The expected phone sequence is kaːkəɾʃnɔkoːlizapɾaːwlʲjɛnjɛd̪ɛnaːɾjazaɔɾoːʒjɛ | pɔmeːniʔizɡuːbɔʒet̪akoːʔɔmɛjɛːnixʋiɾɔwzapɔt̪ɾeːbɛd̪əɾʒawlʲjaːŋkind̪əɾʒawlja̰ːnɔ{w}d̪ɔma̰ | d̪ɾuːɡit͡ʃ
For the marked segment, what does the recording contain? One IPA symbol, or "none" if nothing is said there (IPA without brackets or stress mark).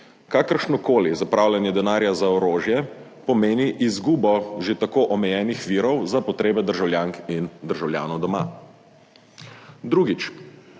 w